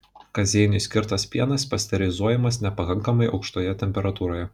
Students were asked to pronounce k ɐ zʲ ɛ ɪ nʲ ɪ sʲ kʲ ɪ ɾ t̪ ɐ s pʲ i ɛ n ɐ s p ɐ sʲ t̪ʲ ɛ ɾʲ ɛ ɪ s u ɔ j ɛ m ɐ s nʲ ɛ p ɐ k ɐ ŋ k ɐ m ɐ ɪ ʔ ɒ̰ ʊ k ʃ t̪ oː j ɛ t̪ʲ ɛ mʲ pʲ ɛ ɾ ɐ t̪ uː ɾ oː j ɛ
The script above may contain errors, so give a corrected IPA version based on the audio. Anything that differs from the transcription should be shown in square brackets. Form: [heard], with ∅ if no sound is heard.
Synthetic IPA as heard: k ɐ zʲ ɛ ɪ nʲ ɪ sʲ kʲ ɪ ɾ t̪ ɐ s pʲ i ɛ n ɐ s p ɐ sʲ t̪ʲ ɛ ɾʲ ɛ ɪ [z] u ɔ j ɛ m ɐ s nʲ ɛ p ɐ k ɐ ŋ k ɐ m ɐ ɪ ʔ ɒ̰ ʊ k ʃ t̪ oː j ɛ t̪ʲ ɛ mʲ pʲ ɛ ɾ ɐ t̪ uː ɾ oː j ɛ